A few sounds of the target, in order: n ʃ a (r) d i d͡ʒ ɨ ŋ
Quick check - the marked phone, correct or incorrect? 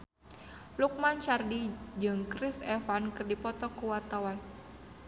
correct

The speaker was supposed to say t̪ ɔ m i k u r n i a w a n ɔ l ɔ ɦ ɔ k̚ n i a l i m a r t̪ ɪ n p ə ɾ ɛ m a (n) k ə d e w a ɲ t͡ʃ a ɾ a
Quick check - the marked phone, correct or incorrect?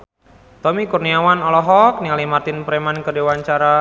correct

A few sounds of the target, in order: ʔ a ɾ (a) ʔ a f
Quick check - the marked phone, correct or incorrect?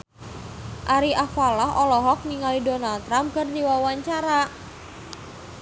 incorrect: i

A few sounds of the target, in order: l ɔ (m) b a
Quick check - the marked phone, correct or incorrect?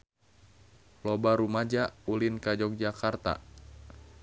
incorrect: none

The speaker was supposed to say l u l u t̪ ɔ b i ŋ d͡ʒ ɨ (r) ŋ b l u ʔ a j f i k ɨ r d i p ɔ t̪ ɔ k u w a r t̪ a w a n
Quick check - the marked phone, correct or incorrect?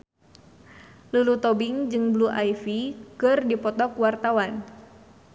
incorrect: none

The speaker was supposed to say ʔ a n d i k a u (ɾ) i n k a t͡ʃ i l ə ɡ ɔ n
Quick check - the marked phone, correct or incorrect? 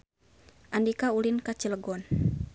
incorrect: l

